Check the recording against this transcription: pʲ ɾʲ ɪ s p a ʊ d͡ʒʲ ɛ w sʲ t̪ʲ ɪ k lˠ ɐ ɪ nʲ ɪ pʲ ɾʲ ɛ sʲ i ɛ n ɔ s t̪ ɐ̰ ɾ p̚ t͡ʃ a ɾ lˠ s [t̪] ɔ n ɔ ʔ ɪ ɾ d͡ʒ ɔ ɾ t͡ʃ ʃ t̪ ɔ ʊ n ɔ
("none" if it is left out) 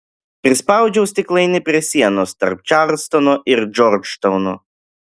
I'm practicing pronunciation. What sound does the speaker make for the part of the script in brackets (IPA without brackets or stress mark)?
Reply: t̪